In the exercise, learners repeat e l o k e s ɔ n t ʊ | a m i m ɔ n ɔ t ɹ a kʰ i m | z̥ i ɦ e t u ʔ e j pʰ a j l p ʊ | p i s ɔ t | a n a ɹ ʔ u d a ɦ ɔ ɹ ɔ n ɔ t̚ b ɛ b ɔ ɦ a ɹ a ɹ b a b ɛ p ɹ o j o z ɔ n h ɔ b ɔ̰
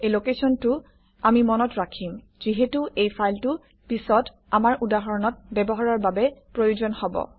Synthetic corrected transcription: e l o k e s ɔ n t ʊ | a m i m ɔ n ɔ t ɹ a kʰ i m | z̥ i ɦ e t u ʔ e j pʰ a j l t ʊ | p i s ɔ t | a m a ɹ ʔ u d a ɦ ɔ ɹ ɔ n ɔ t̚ b ɛ b ɔ ɦ a ɹ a ɹ b a b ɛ p ɹ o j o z ɔ n h ɔ b ɔ̰